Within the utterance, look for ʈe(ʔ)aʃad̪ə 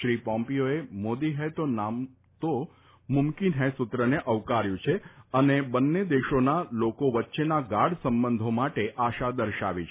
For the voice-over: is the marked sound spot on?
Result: yes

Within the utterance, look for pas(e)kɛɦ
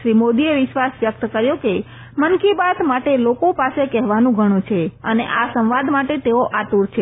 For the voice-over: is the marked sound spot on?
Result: yes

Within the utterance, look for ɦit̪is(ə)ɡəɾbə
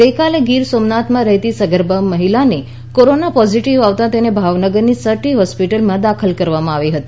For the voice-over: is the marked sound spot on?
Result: yes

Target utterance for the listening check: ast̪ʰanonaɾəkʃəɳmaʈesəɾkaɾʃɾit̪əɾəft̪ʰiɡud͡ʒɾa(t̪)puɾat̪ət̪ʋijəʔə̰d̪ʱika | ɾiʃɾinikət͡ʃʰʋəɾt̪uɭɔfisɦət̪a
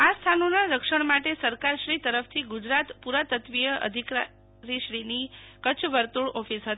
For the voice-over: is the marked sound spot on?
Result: yes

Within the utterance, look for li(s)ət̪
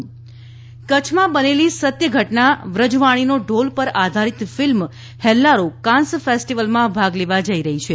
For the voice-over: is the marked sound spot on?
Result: yes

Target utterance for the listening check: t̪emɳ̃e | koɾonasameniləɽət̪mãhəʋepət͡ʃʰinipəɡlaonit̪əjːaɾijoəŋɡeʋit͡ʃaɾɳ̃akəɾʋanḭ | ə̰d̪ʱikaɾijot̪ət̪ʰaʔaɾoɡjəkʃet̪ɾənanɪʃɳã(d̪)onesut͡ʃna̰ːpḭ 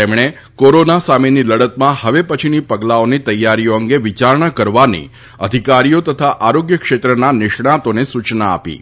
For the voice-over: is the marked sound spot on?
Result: no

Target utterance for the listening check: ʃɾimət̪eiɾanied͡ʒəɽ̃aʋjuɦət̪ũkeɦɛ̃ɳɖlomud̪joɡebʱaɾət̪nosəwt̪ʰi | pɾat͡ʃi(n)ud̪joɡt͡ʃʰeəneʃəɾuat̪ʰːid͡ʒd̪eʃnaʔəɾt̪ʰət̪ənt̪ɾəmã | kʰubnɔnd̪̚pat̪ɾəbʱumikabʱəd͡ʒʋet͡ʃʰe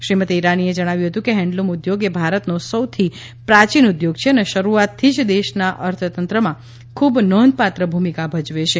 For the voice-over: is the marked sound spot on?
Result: yes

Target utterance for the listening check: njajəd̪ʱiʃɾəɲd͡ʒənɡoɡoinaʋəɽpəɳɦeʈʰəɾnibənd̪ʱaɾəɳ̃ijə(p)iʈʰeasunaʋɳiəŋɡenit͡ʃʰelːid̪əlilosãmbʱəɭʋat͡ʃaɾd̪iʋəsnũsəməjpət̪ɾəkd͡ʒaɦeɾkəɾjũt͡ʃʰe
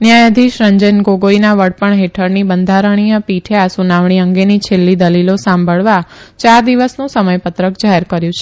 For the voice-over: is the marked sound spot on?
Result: yes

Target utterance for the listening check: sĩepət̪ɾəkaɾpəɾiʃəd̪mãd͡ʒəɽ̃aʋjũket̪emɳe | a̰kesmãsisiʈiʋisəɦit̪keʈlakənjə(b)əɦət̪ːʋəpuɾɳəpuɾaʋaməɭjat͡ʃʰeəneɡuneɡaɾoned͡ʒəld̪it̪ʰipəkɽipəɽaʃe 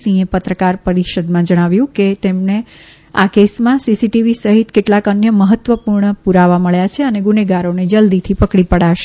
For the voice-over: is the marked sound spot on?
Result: no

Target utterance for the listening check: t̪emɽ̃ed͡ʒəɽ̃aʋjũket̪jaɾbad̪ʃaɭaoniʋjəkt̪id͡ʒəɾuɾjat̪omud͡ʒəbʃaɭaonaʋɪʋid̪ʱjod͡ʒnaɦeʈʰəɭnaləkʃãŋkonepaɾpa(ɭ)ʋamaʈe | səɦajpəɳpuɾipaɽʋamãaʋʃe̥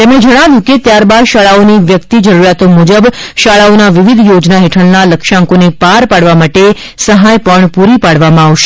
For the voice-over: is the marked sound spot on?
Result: no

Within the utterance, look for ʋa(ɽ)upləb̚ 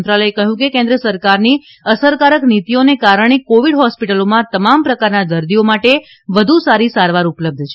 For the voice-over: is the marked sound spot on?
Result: no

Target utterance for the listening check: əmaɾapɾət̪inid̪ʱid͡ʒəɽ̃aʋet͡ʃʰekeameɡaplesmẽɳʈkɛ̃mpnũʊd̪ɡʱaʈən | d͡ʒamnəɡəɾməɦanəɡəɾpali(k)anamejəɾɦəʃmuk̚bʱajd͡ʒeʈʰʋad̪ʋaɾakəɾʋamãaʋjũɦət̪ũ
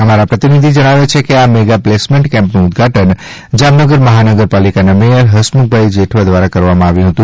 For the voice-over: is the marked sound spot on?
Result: yes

